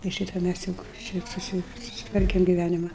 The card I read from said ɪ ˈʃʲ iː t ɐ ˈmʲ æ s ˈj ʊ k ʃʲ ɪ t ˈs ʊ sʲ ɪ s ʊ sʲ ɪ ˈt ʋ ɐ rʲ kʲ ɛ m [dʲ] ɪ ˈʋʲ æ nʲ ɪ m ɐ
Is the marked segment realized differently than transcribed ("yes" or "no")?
yes